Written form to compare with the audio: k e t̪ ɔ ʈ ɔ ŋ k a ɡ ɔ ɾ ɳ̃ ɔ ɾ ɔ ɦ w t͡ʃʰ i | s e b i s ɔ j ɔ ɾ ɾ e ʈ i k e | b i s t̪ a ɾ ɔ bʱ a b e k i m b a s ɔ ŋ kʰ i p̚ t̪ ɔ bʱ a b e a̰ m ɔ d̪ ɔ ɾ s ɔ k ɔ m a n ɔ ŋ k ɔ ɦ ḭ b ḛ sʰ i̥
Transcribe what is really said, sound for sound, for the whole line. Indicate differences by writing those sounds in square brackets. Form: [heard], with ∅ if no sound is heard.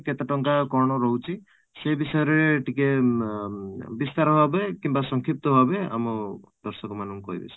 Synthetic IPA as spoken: k e t̪ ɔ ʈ ɔ ŋ k a [k] ɔ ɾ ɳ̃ ɔ ɾ ɔ ɦ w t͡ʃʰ i | s e b i s ɔ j ɔ ɾ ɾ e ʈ i k e | b i s t̪ a ɾ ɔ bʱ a b e k i m b a s ɔ ŋ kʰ i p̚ t̪ ɔ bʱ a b e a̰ m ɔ d̪ ɔ ɾ s ɔ k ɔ m a n ɔ ŋ k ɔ ɦ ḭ b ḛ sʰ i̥